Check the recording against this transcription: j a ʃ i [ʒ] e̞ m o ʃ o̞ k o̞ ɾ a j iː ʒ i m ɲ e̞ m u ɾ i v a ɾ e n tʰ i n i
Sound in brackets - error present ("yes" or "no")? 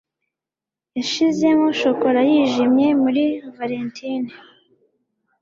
yes